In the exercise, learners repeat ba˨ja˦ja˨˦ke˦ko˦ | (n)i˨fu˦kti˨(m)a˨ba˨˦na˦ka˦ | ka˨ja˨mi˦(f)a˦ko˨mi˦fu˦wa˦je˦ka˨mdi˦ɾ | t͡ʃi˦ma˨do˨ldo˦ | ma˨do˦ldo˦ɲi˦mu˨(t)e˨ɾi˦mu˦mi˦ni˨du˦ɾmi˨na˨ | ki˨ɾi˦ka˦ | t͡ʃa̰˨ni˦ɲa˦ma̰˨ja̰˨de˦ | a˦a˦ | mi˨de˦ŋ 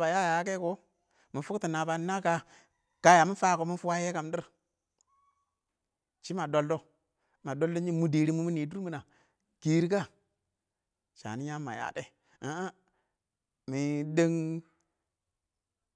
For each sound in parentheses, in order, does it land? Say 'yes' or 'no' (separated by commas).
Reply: no, no, yes, no